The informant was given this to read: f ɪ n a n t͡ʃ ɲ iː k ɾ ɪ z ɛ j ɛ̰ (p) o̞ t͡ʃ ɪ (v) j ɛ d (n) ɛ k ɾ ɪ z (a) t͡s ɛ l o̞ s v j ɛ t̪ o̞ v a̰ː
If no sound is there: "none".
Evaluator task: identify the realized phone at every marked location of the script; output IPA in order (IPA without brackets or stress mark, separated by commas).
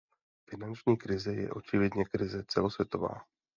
ʔ, v, ɲ, ɛ